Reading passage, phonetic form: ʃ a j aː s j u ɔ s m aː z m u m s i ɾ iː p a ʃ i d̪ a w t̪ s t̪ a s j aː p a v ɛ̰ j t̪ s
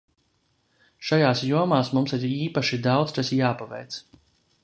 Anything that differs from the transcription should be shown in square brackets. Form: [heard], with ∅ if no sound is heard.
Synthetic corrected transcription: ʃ a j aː s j u ɔ [∅] m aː [s] m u m s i ɾ iː p a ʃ i d̪ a w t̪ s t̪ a s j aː p a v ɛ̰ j t̪ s